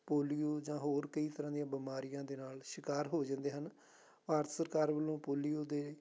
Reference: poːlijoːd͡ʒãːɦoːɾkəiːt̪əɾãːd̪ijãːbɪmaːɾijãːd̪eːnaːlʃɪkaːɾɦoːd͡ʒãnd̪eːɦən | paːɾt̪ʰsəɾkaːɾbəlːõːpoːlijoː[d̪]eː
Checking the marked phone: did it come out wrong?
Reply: no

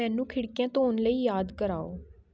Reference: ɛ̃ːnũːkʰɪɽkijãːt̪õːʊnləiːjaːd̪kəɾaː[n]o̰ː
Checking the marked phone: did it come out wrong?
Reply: yes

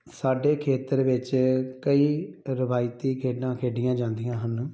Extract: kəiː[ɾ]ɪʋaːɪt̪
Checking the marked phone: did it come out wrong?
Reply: no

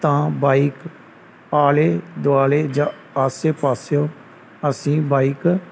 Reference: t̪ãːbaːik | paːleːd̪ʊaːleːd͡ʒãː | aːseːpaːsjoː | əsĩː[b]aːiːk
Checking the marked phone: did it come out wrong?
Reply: no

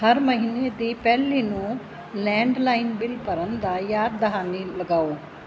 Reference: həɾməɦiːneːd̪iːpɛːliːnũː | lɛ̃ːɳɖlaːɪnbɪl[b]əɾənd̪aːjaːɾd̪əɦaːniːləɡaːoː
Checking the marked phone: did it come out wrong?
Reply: yes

